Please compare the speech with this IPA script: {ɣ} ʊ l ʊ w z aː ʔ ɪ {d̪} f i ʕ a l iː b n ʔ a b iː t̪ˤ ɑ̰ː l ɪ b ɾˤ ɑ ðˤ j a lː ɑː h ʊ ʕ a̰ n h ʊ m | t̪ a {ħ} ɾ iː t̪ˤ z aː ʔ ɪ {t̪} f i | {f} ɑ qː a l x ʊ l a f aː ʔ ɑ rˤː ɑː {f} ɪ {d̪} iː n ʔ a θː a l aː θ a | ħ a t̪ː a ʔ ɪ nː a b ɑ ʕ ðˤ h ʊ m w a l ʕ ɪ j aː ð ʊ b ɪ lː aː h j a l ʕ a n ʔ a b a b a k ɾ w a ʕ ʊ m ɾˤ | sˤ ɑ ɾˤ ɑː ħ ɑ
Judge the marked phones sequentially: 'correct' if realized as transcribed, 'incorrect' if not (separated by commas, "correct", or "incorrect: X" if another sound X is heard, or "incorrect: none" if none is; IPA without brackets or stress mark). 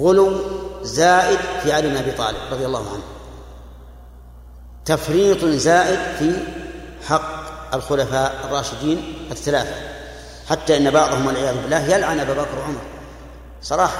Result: correct, correct, incorrect: f, incorrect: d̪, incorrect: ħ, incorrect: ʃ, correct